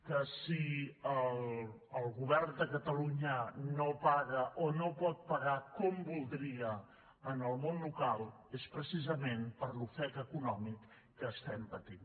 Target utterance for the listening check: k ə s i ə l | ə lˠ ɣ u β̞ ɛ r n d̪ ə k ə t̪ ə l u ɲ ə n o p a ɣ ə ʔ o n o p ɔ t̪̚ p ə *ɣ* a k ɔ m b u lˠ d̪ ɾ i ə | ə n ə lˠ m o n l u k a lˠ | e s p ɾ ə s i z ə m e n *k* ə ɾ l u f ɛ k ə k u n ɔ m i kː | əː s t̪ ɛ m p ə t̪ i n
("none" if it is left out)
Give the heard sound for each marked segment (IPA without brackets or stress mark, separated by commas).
ɣ, p